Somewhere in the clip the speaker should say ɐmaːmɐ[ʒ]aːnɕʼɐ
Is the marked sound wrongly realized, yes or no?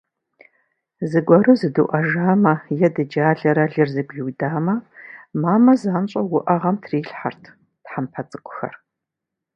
yes